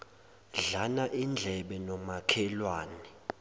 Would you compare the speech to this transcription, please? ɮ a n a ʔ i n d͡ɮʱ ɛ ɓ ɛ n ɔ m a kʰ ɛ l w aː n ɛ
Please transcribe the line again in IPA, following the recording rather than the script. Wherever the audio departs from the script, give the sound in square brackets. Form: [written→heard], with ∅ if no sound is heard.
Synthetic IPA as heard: ɮ a n a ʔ i n d͡ɮʱ ɛ ɓ ɛ n ɔ m a kʰ ɛ l w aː n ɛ

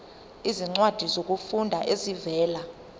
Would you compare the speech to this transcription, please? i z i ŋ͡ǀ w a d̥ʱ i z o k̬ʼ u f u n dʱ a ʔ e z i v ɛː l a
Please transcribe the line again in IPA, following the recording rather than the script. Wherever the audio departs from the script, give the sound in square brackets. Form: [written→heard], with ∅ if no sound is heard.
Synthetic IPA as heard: i z i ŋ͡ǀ w a d̥ʱ i z o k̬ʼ u f u n dʱ a ʔ e z i v ɛː l a

